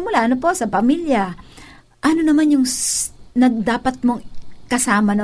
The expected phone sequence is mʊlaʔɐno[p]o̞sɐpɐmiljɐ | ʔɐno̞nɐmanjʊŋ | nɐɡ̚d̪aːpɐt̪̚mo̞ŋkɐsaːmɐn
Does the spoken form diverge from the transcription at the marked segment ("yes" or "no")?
no